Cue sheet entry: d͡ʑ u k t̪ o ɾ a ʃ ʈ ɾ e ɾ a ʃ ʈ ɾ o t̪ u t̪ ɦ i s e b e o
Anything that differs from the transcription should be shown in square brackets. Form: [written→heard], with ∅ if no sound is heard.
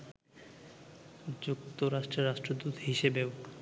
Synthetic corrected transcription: d͡ʑ u k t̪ o ɾ a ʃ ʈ ɾ e ɾ a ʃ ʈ ɾ o [t̪→d̪] u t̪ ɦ i [s→ʃ] e b e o